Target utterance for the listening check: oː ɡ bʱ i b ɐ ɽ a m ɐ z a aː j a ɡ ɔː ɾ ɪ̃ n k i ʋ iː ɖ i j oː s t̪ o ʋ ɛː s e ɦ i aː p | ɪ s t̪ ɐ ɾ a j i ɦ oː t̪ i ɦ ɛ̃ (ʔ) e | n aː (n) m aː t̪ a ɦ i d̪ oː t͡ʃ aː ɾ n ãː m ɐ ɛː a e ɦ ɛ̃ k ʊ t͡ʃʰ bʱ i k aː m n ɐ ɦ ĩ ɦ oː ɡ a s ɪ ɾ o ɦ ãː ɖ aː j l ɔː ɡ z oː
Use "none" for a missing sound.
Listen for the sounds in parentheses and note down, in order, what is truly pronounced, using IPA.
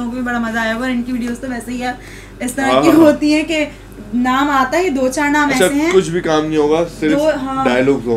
k, none

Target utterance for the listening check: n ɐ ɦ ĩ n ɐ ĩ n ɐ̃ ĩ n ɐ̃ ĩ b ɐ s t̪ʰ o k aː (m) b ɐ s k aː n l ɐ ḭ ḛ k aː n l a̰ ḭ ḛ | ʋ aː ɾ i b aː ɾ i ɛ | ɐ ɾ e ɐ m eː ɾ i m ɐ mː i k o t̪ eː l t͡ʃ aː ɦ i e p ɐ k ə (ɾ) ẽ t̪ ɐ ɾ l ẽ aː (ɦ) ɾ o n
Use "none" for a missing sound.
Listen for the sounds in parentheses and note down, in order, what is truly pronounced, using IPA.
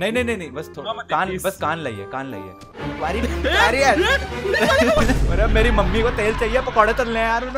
n, ɽ, none

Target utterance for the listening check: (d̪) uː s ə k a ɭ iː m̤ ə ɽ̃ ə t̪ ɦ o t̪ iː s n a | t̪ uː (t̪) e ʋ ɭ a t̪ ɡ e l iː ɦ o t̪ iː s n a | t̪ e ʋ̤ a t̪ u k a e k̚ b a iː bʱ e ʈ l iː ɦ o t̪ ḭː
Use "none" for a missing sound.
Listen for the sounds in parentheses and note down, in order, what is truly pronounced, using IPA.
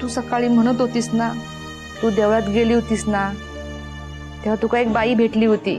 t̪, d̪

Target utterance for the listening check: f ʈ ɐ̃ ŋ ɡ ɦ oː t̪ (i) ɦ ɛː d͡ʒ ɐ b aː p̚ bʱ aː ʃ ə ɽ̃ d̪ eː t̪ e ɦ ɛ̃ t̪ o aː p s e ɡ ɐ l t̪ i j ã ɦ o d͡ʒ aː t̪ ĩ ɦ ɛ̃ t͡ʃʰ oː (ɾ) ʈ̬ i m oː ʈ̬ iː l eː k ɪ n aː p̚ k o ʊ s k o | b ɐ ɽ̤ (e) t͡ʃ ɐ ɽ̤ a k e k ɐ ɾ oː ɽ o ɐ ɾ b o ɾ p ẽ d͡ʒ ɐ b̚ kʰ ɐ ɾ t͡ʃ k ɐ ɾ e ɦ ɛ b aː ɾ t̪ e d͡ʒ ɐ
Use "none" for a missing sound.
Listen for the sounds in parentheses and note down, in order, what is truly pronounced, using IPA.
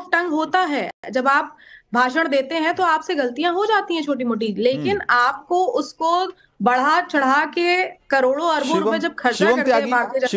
a, none, a

